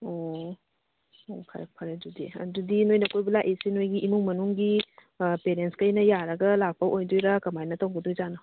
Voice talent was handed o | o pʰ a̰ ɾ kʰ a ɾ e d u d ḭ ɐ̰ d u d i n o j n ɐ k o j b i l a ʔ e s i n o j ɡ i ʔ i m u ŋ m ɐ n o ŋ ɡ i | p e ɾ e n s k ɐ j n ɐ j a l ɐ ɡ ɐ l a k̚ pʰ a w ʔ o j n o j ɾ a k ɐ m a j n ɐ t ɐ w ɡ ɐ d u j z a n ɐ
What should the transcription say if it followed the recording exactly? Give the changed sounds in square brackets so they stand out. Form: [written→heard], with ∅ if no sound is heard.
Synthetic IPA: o | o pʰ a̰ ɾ [kʰ→pʰ] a ɾ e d u d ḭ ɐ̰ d u d i n o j n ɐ k o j b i l a ʔ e s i n o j ɡ i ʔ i m u ŋ m ɐ n [o→u] ŋ ɡ i | p e ɾ e n s k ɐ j n ɐ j a [l→ɾ] ɐ ɡ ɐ l a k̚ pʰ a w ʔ o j [n→d] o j ɾ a k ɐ m a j n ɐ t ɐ w ɡ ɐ d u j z a n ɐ